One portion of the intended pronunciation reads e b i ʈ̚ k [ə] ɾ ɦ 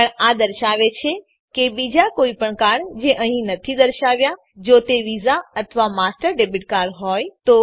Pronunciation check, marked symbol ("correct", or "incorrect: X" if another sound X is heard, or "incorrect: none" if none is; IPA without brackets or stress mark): incorrect: a